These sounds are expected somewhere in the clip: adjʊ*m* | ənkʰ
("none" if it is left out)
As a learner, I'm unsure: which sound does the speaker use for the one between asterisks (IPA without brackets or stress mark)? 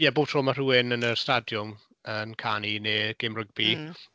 m